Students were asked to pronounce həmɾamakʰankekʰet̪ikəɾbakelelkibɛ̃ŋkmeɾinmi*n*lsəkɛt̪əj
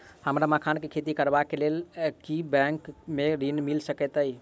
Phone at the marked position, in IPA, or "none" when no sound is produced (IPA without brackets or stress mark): none